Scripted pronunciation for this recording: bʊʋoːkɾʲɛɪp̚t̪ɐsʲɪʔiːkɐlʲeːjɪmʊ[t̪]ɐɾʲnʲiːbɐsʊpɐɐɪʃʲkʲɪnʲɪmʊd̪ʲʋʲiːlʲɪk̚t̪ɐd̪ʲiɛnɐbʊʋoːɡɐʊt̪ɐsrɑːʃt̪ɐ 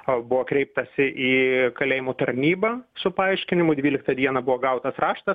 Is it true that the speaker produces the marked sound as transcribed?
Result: yes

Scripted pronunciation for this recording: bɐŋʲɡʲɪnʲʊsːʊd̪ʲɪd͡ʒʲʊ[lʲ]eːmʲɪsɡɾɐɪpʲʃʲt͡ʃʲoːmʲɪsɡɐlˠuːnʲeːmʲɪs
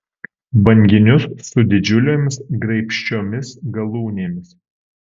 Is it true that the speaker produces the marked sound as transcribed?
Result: yes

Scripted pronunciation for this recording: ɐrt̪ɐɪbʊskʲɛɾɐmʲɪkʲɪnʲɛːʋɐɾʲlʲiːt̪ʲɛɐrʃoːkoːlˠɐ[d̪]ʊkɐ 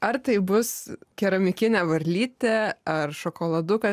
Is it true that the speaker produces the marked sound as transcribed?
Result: yes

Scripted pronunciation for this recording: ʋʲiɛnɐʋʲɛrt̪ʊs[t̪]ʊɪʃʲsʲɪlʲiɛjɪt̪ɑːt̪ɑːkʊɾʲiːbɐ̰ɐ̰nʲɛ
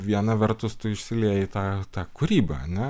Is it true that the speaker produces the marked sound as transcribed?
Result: yes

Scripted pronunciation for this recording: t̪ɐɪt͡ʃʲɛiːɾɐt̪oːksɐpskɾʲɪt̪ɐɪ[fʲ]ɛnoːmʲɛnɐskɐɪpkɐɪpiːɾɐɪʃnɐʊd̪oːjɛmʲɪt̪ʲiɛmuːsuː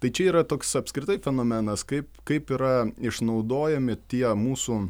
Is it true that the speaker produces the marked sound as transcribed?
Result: yes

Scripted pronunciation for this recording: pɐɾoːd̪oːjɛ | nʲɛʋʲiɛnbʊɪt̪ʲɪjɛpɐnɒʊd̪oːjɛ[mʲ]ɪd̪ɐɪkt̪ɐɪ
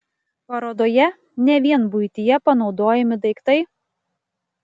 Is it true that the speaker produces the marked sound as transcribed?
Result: yes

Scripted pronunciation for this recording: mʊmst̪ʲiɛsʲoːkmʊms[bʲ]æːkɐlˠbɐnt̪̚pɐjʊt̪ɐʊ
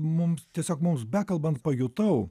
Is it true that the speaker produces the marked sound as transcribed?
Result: yes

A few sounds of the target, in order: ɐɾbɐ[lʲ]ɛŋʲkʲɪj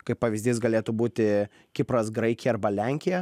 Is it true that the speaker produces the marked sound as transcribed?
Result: yes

